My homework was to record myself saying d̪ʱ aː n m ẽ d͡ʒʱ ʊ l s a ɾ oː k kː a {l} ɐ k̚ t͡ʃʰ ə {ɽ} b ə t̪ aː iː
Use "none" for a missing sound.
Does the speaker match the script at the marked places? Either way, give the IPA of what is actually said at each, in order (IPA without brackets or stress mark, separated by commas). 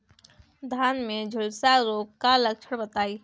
l, ɽ